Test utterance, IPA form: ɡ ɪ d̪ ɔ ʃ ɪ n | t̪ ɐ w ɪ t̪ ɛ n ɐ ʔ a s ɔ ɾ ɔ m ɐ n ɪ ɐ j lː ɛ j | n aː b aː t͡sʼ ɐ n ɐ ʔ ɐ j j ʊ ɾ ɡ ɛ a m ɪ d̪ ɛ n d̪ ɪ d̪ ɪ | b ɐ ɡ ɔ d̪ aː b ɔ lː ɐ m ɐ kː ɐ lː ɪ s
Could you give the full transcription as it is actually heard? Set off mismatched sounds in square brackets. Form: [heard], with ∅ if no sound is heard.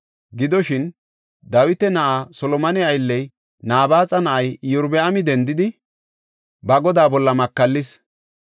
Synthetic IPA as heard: ɡ ɪ d̪ ɔ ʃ ɪ n | [d̪] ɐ w ɪ t̪ ɛ n ɐ ʔ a s ɔ [l] ɔ m ɐ n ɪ ɐ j lː ɛ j | n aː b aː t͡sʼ ɐ n ɐ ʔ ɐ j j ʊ ɾ [b] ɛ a m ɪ d̪ ɛ n d̪ ɪ d̪ ɪ | b ɐ ɡ ɔ d̪ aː b ɔ lː ɐ m ɐ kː ɐ lː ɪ s